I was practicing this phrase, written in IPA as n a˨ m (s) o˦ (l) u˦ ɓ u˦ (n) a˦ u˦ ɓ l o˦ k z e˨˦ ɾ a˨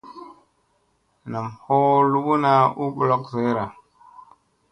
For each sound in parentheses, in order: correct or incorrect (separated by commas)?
incorrect, correct, correct